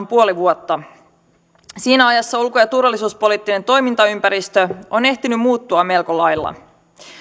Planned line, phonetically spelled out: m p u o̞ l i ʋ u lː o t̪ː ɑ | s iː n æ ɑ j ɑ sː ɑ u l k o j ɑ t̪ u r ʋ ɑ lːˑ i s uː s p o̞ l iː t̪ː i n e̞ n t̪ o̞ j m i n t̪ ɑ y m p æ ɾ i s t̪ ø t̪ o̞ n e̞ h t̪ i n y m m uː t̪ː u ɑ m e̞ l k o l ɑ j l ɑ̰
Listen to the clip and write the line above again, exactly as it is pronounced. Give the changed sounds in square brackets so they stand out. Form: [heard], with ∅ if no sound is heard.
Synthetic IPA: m p u o̞ l i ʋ u [∅] o t̪ː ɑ | s iː n æ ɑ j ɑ sː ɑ u l k o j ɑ t̪ u r ʋ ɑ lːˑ i s uː s p o̞ l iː t̪ː i n e̞ n t̪ o̞ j m i n t̪ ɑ y m p æ ɾ i s t̪ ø [∅] o̞ n e̞ h t̪ i n y m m uː t̪ː u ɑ m e̞ l k o l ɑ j [lː] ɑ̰